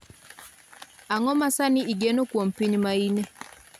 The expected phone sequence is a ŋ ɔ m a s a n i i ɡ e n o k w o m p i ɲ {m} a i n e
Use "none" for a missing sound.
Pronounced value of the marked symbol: m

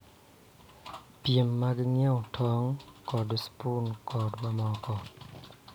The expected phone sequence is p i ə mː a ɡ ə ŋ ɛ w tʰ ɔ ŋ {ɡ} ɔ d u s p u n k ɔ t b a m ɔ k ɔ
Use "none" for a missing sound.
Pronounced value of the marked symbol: k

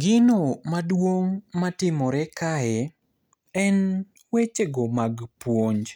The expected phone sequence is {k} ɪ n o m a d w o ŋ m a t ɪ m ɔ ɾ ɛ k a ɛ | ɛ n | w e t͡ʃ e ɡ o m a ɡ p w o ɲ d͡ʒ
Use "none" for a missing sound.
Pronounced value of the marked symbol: ɡ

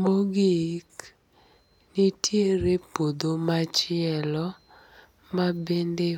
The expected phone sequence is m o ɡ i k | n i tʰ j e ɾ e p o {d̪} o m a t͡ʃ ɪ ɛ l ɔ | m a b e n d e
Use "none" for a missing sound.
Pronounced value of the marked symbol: d̪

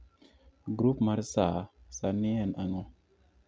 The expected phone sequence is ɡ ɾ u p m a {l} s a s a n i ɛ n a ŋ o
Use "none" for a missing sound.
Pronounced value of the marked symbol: ɾ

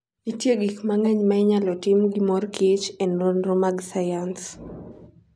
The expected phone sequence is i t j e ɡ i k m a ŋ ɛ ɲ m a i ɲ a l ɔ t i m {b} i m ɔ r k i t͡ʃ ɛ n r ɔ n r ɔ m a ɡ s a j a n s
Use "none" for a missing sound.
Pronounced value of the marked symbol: ɡ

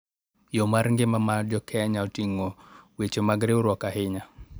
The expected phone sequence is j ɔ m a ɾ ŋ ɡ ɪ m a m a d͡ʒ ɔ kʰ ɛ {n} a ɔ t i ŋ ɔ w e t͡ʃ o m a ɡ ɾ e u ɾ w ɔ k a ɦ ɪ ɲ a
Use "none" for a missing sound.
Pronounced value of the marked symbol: ɲ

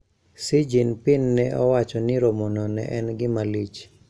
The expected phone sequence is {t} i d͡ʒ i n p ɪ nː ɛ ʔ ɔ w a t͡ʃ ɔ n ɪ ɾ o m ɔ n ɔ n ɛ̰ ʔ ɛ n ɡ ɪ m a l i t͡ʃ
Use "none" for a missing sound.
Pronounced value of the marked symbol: s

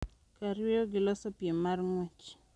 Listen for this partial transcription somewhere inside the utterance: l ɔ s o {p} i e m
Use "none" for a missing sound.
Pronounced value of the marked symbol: p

